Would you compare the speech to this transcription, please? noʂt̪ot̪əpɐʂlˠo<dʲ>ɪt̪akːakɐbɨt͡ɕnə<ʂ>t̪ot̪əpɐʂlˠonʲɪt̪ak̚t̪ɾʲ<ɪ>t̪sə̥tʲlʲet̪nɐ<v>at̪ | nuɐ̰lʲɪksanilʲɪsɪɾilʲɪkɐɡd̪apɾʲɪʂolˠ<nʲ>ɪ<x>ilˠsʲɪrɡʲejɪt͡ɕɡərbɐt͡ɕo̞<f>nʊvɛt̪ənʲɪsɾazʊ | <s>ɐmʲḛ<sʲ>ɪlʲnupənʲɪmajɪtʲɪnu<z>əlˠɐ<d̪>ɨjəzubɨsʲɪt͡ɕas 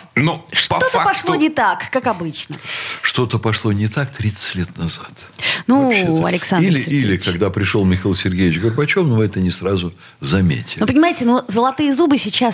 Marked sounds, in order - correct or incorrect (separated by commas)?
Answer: incorrect, correct, incorrect, incorrect, incorrect, correct, correct, incorrect, incorrect, correct, incorrect